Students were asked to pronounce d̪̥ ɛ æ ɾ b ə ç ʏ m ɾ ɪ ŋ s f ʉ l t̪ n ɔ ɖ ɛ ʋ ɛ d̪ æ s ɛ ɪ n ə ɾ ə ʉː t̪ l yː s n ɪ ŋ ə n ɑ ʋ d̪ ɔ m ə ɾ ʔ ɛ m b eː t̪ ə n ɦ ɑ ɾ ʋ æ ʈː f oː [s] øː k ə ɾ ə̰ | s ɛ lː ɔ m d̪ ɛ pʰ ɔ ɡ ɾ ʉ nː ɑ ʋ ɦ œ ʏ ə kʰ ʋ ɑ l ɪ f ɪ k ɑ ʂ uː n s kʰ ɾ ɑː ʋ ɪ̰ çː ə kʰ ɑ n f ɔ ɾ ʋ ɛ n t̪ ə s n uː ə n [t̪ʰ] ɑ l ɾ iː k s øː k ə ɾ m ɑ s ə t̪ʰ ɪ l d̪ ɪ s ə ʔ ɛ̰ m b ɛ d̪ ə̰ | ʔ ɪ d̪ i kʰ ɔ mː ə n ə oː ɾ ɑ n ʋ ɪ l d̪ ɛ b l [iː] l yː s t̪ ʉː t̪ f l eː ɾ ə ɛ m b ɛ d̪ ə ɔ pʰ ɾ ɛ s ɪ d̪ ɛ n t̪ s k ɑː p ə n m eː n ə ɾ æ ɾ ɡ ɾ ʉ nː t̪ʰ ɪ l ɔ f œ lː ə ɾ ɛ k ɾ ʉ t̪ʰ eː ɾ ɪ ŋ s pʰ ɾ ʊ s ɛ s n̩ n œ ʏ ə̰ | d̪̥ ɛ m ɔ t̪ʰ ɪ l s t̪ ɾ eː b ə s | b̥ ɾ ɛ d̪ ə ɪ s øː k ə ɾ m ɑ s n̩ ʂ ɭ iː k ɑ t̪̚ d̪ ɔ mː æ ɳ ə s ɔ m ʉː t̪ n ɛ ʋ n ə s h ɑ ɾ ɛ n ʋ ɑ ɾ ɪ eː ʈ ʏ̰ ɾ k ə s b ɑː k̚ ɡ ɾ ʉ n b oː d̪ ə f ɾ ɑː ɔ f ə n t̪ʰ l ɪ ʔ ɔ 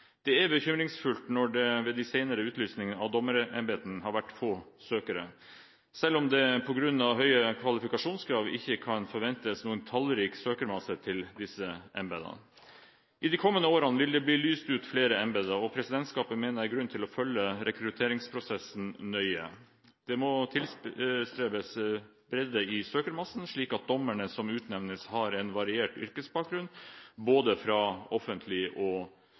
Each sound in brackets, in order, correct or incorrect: correct, correct, correct

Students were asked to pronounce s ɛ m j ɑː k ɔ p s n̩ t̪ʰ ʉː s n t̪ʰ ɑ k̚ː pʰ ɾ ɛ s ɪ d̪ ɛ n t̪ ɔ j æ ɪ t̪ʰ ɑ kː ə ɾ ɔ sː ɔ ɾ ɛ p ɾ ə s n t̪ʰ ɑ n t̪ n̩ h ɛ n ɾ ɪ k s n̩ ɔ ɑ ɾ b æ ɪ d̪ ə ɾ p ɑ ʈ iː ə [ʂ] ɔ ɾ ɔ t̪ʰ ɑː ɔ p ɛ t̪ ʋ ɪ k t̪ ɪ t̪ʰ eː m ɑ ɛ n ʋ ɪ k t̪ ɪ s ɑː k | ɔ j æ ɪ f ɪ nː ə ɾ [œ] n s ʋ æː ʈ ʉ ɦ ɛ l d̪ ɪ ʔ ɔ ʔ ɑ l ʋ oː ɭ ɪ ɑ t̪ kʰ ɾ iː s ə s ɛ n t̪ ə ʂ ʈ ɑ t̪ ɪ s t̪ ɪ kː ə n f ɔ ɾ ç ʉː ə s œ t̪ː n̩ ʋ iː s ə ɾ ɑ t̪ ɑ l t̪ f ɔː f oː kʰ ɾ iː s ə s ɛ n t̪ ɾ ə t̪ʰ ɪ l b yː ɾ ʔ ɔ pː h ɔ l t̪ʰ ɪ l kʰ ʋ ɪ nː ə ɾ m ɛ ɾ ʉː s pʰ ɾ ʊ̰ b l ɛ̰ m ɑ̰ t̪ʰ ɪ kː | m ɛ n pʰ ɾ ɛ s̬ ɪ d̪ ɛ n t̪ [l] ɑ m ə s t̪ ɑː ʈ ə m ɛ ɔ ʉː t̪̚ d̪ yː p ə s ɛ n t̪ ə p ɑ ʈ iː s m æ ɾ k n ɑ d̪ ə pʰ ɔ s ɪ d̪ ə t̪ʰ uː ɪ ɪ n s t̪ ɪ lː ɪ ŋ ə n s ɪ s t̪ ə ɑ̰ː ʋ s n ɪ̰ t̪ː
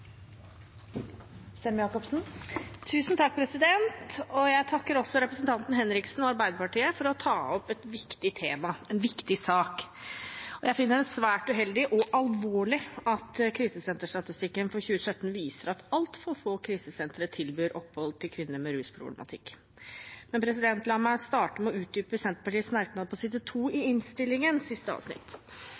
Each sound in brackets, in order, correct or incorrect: incorrect: f, incorrect: ɛ, correct

